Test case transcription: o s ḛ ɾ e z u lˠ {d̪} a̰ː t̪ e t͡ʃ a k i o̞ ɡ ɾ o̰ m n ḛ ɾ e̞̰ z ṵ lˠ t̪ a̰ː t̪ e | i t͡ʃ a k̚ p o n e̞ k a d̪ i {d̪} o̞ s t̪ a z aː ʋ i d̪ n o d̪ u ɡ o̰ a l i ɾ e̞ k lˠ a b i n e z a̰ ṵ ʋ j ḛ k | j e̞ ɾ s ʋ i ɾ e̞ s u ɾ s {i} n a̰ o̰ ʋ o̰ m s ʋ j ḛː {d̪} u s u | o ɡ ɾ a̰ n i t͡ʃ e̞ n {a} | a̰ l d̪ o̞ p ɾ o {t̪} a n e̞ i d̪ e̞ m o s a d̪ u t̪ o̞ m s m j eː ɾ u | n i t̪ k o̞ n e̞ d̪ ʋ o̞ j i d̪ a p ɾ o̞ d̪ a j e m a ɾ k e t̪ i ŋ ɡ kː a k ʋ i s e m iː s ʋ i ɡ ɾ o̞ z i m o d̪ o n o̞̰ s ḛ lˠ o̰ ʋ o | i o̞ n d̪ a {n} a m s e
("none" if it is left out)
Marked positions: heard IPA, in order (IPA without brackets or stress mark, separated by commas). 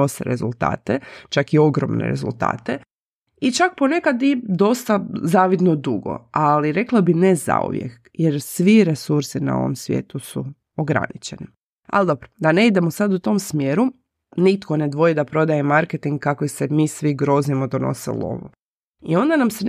t̪, d̪, i, t̪, i, d̪, n